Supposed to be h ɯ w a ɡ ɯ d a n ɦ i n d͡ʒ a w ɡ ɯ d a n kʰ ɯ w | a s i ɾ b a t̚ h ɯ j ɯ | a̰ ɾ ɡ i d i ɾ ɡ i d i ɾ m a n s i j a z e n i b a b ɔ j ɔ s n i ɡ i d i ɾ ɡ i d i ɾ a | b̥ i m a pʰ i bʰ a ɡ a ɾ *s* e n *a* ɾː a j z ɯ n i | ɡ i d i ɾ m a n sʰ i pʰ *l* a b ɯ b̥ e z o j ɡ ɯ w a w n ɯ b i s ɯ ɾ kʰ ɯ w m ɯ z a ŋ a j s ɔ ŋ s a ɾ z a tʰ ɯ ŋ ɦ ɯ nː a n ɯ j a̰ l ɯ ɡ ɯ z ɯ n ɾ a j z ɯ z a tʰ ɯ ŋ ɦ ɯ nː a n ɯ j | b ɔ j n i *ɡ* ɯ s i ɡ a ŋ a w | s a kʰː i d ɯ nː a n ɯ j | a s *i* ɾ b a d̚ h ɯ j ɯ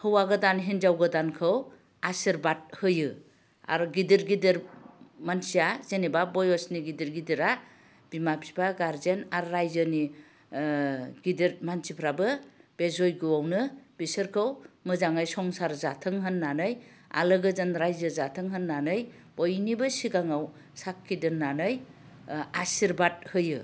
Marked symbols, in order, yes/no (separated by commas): no, yes, no, no, yes